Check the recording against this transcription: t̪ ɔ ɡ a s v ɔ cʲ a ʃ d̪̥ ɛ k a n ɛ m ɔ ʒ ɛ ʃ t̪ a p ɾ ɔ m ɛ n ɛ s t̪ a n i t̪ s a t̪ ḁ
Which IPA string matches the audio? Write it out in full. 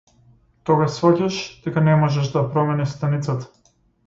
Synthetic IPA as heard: t̪ ɔ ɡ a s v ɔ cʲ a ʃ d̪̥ ɛ k a n ɛ m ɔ ʒ ɛ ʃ d̪ a p ɾ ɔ m ɛ n ɛ s t̪ a n i t̪ s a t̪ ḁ

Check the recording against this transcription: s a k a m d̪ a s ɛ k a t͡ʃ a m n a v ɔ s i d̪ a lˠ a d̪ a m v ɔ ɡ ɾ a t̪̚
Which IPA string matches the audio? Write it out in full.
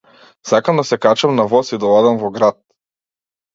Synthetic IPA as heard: s a k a m d̪ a s ɛ k a t͡ʃ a m n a v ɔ s i d̪ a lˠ a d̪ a m v ɔ ɡ ɾ a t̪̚

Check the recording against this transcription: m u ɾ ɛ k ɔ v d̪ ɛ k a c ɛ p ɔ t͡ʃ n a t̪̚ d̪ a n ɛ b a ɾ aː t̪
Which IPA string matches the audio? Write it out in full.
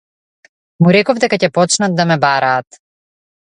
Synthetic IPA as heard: m u ɾ ɛ k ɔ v d̪ ɛ k a c ɛ p ɔ t͡ʃ n a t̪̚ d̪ a m ɛ b a ɾ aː t̪

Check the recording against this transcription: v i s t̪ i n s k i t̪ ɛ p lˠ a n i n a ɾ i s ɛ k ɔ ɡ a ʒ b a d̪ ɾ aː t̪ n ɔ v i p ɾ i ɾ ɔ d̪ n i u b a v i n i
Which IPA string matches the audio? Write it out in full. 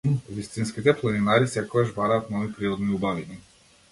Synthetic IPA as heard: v i s t̪ i n s k i t̪ ɛ p lˠ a n i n a ɾ i s ɛ k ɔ ɡ a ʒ b a ɾ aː t̪ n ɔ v i p ɾ i ɾ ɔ d̪ n i u b a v i n i

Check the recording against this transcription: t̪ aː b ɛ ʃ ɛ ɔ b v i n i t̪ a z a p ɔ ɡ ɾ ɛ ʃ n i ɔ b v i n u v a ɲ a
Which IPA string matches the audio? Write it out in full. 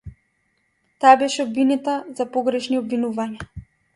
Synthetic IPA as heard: t̪ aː b ɛ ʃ ɛ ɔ b v i n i t̪ a z a p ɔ ɡ ɾ ɛ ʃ n i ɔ b v i n u v a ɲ a

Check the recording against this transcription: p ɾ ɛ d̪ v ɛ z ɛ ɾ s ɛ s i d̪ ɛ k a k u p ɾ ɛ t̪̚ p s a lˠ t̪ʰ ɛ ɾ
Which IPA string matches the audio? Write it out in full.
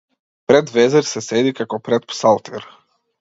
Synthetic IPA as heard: p ɾ ɛ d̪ v ɛ z ɛ ɾ s ɛ s ɛ d̪ i k a k ɔ p ɾ ɛ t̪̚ p s a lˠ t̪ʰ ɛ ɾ

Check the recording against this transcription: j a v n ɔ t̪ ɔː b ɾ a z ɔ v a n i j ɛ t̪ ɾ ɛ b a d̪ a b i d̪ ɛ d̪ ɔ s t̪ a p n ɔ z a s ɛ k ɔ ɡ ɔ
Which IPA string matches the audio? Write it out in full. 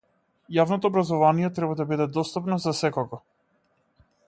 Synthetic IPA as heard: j a v n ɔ t̪ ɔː b ɾ a z ɔ v a n i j ɛ t̪ ɾ ɛ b a d̪ a b i d̪ ɛ d̪ ɔ s t̪ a p n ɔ z a s ɛ k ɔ ɡ ɔ

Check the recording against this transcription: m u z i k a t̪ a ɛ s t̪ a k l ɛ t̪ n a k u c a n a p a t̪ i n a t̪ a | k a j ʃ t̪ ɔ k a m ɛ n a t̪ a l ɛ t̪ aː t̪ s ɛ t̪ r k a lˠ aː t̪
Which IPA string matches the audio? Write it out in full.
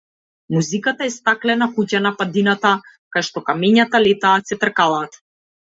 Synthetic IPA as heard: m u z i k a t̪ a ɛ s t̪ a k l ɛ n a k u c a n a p a d̪ i n a t̪ a | k a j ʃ t̪ ɔ k a m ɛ ɲ a t̪ a l ɛ t̪ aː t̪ s ɛ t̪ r k a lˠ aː t̪

